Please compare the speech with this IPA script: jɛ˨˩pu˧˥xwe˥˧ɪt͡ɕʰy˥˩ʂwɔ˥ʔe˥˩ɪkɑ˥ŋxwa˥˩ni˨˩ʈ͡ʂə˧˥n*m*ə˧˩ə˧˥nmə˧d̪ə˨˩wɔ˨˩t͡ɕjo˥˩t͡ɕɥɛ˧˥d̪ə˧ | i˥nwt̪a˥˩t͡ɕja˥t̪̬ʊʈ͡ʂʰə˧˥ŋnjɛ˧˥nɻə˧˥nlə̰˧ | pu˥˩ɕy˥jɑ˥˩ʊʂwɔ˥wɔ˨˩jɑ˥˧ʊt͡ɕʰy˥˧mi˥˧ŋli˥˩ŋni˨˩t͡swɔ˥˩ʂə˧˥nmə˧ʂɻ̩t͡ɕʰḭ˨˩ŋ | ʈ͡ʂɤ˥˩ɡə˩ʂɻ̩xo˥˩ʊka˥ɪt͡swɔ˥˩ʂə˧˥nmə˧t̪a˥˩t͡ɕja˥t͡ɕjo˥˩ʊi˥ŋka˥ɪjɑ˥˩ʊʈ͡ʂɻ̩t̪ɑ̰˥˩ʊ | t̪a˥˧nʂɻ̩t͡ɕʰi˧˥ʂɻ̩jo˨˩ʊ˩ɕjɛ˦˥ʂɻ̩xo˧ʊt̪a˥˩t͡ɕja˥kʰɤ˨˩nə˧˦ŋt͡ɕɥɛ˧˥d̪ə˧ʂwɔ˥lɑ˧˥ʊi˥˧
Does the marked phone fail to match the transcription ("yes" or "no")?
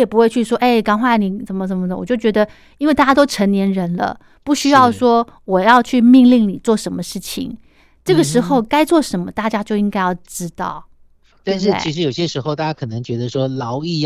no